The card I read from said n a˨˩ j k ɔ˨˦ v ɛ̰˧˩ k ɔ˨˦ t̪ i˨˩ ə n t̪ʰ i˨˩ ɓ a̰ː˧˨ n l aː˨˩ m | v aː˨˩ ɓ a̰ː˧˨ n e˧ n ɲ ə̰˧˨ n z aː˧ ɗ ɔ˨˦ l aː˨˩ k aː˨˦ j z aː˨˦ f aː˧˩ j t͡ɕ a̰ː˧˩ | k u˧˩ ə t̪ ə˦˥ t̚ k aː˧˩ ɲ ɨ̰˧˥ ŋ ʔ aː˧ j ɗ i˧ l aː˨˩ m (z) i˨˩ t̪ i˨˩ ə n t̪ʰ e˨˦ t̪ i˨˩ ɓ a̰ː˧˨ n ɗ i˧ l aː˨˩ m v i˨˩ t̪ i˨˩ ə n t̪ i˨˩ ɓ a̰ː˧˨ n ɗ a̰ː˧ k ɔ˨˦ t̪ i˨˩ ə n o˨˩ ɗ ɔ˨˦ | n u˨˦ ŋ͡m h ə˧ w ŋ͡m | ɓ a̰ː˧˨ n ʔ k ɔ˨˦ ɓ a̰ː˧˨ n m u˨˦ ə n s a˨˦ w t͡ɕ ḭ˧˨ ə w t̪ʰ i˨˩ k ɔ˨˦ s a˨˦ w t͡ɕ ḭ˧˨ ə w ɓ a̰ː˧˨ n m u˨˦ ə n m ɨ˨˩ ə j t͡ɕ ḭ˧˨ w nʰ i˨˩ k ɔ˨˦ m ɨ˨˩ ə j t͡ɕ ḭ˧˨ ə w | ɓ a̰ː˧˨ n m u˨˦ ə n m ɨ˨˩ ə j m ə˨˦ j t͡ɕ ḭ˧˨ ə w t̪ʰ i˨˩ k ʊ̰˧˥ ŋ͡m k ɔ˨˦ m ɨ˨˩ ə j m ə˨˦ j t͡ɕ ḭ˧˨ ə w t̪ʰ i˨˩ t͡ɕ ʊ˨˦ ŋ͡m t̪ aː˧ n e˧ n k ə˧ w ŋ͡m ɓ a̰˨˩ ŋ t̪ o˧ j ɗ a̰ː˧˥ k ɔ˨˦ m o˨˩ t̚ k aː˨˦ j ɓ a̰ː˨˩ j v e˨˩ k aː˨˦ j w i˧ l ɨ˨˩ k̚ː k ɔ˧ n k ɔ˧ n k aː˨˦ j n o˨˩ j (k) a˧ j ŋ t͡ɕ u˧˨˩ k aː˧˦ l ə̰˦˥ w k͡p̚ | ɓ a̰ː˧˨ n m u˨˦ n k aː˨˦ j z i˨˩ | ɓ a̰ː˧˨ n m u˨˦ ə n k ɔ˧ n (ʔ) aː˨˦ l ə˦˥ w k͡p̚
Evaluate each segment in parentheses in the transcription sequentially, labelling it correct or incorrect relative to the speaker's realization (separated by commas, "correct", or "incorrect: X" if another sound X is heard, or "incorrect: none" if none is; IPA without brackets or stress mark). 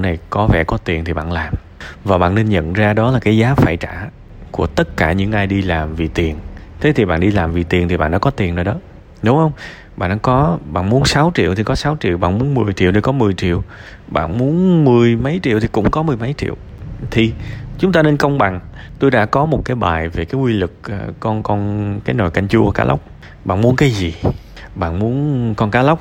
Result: incorrect: v, correct, incorrect: k